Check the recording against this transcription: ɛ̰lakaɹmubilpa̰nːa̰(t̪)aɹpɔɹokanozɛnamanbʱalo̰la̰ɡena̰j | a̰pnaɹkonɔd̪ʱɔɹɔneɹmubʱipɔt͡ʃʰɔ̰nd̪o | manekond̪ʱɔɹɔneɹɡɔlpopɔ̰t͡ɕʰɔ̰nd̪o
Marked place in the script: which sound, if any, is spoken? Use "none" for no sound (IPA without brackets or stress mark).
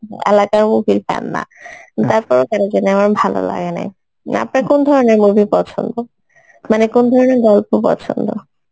t̪